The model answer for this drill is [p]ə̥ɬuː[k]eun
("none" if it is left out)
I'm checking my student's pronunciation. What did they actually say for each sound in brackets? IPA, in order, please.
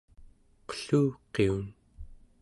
q, q

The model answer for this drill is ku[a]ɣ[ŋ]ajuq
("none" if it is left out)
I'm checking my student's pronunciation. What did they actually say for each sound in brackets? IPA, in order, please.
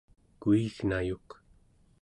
i, n

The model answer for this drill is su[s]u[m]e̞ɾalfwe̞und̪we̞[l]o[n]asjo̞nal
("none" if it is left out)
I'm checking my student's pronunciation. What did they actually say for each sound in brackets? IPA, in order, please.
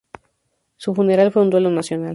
f, n, l, n

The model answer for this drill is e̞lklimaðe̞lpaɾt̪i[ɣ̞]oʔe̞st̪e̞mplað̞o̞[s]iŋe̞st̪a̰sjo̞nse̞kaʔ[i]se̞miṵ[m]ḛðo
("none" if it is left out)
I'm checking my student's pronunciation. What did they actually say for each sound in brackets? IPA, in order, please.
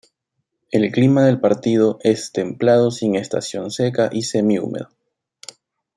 ð̞, s, i, m

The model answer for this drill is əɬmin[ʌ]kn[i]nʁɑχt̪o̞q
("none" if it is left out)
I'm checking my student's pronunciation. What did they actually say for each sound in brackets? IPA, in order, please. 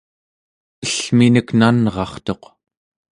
ə, a

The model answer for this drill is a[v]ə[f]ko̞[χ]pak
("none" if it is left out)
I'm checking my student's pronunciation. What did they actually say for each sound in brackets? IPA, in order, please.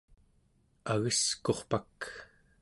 ɣ, s, χ

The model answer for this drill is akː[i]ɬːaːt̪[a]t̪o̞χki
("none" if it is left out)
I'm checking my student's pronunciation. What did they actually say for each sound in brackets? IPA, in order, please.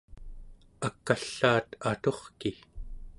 a, a

